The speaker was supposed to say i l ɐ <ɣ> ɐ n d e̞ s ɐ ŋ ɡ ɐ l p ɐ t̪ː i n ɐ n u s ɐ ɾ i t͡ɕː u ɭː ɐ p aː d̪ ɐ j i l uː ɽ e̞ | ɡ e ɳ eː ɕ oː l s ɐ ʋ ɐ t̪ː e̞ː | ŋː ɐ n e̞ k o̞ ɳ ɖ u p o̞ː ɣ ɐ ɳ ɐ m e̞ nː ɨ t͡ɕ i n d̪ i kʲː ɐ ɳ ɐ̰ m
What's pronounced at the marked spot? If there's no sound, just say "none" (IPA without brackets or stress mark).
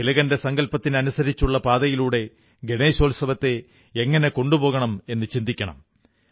ɣ